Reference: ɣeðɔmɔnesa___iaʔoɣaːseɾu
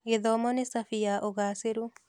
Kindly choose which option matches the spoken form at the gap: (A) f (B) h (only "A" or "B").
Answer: A